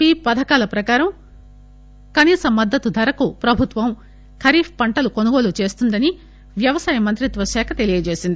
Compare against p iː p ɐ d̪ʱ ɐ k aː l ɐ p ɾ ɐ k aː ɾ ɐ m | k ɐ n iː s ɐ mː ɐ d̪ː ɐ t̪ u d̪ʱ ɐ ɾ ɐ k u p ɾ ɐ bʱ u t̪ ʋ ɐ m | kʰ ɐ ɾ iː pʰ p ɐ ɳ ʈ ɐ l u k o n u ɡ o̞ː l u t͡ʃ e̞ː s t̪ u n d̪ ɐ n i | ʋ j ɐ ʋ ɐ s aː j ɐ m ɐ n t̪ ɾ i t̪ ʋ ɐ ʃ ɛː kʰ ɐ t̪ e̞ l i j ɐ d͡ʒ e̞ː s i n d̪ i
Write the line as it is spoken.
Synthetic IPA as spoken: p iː p ɐ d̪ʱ ɐ k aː l ɐ p ɾ ɐ k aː ɾ ɐ m | k ɐ n iː s ɐ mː ɐ d̪ː ɐ t̪ u d̪ʱ ɐ ɾ ɐ k u p ɾ ɐ bʱ u t̪ ʋ ɐ m | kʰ ɐ ɾ iː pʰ p ɐ ɳ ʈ ɐ l u k o n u ɡ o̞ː l u t͡ʃ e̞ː s t̪ u n d̪ ɐ n i | ʋ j ɐ ʋ ɐ s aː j ɐ m ɐ n t̪ ɾ i t̪ ʋ ɐ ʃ ɛː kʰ ɐ t̪ e̞ l i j ɐ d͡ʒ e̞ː s i n d̪ i

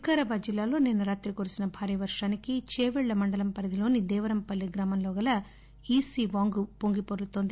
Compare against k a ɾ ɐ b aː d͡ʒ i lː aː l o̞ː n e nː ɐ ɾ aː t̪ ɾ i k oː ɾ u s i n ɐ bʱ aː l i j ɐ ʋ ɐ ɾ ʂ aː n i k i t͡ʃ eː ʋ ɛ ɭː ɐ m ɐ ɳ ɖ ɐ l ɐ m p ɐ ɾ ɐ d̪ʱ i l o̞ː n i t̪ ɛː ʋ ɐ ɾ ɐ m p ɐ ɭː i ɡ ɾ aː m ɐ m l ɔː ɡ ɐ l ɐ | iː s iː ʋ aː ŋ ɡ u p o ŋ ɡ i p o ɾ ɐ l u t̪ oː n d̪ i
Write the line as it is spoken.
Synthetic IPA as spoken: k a ɾ ɐ b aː d͡ʒ i lː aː l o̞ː n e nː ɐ ɾ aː t̪ ɾ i k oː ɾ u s i n ɐ bʱ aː ɾ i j ɐ ʋ ɐ ɾ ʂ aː n i k i t͡ʃ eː ʋ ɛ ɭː ɐ m ɐ ɳ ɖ ɐ l ɐ m p ɐ ɾ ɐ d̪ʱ i l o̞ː n i d̪ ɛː ʋ ɐ ɾ ɐ m p ɐ lː i ɡ ɾ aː m ɐ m l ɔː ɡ ɐ l ɐ | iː s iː ʋ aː ŋ ɡ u p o ŋ ɡ i p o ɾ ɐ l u t̪ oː n d̪ i

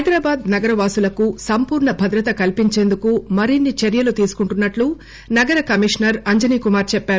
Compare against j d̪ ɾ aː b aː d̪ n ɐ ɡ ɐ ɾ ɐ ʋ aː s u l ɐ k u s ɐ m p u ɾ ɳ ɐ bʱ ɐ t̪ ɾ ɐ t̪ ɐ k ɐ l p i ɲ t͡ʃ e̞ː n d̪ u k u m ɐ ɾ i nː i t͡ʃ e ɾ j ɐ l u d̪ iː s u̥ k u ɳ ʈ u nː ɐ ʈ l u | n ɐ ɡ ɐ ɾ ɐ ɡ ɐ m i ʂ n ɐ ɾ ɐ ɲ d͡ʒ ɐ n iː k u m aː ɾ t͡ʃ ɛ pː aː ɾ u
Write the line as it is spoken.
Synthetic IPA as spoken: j d̪ ɾ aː b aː d̪ n ɐ ɡ ɐ ɾ ɐ ʋ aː s u l ɐ k u s ɐ m p uː ɾ ɳ ɐ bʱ ɐ d̪ ɾ ɐ t̪ ɐ k ɐ l p i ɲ t͡ʃ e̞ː n d̪ u k u m ɐ ɾ i nː i t͡ʃ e ɾ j ɐ l u t̪ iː s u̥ k u ɳ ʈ u nː ɐ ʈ l u | n ɐ ɡ ɐ ɾ ɐ k ɐ m i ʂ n ɐ ɾ ɐ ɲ d͡ʒ ɐ n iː k u m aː ɾ t͡ʃ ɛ pː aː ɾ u

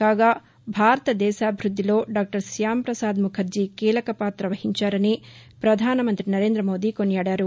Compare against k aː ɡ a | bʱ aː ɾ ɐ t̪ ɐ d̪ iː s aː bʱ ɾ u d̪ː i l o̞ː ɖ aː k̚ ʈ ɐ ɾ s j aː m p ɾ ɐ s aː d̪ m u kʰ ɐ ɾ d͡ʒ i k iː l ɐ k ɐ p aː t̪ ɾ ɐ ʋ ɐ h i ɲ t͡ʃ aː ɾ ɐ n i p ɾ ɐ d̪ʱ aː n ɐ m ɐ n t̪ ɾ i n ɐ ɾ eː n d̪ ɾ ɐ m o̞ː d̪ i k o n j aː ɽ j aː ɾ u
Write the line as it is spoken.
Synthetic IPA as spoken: k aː ɡ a | bʱ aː ɾ ɐ t̪ ɐ d̪ ɛː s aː bʱ ɾ u d̪ː i l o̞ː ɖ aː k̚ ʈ ɐ ɾ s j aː m p ɾ ɐ s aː d̪ m u kʰ ɐ ɾ d͡ʒ i k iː l ɐ k ɐ p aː t̪ ɾ ɐ ʋ ɐ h i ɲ t͡ʃ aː ɾ ɐ n i p ɾ ɐ d̪ʱ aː n ɐ m ɐ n t̪ ɾ i n ɐ ɾ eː n d̪ ɾ ɐ m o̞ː d̪ i k o n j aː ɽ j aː ɾ u

